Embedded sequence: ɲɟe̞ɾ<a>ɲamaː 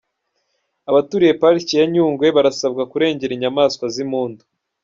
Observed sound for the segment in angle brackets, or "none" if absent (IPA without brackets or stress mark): i